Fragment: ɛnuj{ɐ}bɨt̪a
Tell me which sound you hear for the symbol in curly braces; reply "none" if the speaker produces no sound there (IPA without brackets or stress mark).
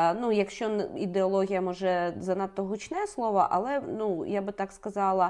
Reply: a